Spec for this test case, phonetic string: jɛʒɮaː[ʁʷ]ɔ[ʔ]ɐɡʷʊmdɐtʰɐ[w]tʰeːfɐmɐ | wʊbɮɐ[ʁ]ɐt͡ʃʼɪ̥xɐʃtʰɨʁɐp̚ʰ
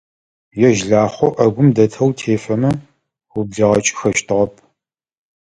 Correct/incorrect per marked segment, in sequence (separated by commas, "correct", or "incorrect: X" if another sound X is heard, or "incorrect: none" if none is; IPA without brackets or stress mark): incorrect: χʷ, correct, correct, correct